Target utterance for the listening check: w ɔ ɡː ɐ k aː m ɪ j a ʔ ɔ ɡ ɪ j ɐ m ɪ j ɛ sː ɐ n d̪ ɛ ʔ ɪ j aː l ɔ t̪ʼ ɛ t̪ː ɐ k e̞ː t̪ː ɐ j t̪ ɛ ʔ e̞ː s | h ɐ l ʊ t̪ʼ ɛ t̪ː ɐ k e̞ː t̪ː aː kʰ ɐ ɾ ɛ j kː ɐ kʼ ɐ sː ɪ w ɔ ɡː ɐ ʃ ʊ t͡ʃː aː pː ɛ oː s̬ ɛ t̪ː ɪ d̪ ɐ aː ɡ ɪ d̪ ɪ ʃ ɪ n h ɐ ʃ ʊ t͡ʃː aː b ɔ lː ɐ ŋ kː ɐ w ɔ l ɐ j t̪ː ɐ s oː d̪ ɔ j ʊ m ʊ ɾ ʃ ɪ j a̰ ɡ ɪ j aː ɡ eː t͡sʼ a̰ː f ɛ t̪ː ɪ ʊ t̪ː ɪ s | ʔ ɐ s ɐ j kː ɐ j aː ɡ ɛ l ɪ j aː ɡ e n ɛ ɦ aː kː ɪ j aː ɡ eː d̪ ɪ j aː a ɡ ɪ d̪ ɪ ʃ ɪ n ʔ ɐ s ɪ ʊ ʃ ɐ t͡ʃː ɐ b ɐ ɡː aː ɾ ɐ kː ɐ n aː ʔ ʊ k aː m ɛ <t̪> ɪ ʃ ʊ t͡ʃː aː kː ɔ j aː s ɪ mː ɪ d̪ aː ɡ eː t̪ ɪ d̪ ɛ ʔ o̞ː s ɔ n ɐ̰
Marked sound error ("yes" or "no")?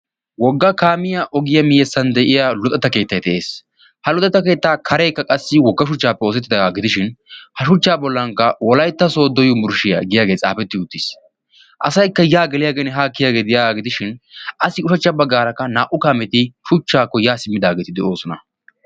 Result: no